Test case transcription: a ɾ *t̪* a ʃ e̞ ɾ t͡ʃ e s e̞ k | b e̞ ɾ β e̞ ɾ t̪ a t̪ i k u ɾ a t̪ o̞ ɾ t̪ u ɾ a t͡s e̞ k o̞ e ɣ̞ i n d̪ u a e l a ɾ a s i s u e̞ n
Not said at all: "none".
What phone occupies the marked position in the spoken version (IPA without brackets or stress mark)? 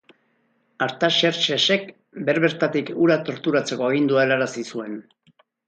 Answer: t̪